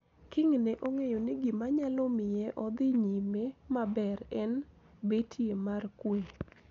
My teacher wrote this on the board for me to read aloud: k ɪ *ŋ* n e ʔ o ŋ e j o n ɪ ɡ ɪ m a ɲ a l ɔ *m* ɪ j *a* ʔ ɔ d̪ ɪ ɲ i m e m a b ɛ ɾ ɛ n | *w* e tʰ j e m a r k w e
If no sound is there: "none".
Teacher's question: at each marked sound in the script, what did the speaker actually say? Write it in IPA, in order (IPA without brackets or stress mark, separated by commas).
ŋ, m, ɛ, b